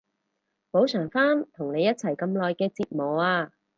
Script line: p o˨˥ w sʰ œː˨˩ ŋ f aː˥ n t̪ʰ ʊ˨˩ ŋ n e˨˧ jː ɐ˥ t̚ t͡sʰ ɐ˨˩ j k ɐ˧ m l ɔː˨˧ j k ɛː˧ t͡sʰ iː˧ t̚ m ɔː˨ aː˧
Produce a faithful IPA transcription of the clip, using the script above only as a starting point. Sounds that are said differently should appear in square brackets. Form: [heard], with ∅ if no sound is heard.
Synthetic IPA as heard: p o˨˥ w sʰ œː˨˩ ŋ f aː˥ n t̪ʰ ʊ˨˩ ŋ n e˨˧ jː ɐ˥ t̚ t͡sʰ ɐ˨˩ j k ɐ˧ m l ɔː˨˧ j k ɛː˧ [t͡s] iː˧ t̚ m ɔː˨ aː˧